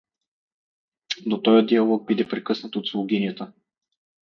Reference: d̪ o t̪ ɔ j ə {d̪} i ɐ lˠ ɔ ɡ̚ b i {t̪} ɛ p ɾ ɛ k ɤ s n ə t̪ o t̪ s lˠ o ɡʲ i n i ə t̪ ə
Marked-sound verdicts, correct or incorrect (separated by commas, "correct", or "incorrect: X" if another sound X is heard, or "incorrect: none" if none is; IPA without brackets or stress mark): correct, incorrect: d̪